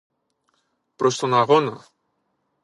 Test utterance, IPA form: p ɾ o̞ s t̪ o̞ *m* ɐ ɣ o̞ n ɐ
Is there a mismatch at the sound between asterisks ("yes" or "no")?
yes